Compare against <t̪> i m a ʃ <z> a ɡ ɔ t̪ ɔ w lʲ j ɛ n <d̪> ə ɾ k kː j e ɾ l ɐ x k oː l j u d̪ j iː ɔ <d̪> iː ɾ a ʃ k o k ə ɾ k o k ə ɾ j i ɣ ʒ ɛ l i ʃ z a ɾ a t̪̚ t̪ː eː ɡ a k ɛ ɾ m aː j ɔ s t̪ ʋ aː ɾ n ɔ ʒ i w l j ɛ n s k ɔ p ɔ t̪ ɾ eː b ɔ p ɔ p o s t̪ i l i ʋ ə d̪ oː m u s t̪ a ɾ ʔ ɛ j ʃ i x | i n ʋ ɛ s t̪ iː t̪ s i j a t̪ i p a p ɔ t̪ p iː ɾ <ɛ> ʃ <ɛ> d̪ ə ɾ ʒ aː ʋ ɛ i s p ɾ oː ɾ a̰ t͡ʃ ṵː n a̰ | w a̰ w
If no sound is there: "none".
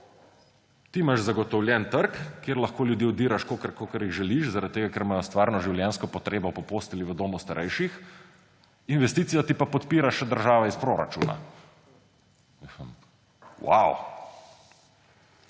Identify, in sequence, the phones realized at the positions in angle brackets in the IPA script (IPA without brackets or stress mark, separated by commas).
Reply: t̪, z, t̪, d̪, a, ɛ